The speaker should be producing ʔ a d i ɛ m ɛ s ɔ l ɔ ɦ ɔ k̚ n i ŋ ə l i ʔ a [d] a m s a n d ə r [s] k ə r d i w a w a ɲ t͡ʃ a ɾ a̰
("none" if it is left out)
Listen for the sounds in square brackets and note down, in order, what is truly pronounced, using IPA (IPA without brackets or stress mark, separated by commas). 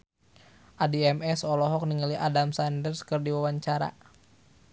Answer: d, s